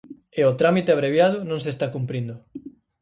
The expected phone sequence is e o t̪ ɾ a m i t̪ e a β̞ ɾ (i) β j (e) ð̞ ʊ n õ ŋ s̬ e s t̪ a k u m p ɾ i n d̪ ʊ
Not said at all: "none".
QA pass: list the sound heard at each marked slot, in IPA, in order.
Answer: e, a

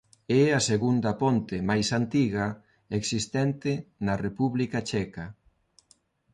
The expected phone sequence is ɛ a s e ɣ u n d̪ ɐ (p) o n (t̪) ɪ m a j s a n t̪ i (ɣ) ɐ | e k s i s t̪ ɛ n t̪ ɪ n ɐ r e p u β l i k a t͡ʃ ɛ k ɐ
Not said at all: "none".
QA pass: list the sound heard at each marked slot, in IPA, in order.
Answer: p, t̪, ɣ

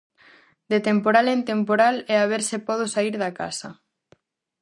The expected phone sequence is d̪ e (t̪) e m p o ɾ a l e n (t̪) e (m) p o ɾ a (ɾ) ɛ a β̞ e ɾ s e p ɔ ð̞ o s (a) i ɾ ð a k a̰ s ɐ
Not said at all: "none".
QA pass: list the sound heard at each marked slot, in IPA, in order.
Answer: t̪, t̪, m, l, a

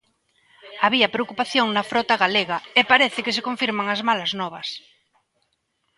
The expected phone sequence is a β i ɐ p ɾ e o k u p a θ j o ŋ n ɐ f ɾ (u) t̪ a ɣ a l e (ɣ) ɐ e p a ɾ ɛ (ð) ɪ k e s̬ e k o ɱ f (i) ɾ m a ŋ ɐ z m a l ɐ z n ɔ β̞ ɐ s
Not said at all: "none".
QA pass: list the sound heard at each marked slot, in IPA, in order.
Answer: ɔ, ɣ, θ, i

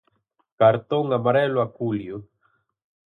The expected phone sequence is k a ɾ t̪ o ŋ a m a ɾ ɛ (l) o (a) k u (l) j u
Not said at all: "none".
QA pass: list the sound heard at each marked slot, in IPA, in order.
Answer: l, a, l

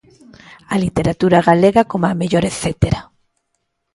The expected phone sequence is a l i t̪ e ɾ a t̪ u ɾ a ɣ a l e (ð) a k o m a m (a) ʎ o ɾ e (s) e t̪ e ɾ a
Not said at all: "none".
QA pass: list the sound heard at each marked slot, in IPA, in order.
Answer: ɣ, e, θ

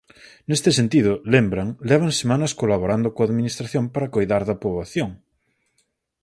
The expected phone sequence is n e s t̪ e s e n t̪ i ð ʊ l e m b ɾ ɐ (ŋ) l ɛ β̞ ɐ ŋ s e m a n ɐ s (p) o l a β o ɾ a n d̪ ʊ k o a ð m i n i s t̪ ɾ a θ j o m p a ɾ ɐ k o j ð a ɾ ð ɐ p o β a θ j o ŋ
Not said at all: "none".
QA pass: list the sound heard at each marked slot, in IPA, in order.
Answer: ŋ, k

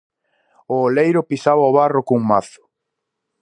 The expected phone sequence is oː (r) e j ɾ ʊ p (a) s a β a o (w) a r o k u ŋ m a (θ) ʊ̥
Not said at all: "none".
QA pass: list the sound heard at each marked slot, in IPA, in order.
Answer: l, i, β, θ

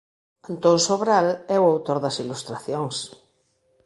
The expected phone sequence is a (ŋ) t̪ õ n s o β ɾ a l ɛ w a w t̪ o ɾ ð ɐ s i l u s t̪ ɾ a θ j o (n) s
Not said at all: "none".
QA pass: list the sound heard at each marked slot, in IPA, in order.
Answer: n, ŋ

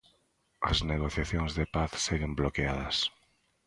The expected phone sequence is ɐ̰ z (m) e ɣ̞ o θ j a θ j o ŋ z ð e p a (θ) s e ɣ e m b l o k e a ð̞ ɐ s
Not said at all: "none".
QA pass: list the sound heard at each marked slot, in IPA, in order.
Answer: n, θ

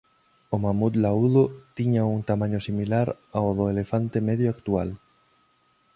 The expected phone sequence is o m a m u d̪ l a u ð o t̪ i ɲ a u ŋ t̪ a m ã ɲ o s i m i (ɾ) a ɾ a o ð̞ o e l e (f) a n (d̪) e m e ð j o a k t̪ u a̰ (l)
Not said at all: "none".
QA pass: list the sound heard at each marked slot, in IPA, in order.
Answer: l, f, t̪, l

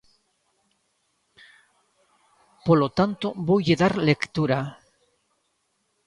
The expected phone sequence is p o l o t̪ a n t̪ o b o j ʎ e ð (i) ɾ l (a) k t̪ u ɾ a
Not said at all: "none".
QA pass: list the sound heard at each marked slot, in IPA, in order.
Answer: a, e

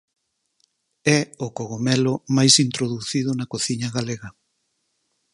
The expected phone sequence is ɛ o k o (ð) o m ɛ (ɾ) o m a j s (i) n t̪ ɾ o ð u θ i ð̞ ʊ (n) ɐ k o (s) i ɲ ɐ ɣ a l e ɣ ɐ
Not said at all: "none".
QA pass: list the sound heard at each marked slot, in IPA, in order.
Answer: ɣ, l, i, n, θ

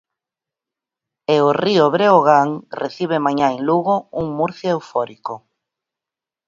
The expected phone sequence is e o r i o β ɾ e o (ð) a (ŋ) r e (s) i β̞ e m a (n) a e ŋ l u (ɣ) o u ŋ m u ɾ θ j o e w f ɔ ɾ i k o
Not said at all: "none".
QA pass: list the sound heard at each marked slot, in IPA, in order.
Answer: ɣ, ŋ, θ, ɲ, ɣ

